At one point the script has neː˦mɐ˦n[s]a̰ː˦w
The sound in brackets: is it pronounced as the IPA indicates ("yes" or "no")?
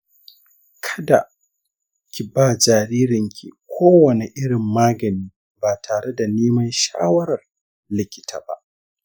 no